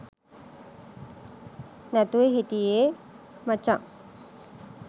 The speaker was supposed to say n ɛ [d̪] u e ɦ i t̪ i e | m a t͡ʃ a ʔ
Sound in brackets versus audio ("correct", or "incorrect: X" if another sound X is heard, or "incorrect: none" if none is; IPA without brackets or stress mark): incorrect: t̪